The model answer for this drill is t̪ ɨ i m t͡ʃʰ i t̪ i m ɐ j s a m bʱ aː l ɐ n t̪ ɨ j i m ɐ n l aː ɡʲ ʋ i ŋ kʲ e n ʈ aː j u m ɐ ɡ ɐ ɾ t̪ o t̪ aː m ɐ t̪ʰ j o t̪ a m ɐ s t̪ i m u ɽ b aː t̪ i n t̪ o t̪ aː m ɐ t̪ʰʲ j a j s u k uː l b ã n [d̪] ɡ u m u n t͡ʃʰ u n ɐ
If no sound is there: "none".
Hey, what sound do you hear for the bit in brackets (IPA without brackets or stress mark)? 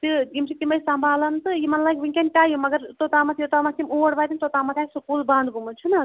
d̪